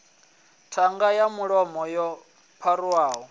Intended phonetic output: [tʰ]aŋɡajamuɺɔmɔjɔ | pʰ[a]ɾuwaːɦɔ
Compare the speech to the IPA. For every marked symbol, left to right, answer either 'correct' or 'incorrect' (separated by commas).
correct, correct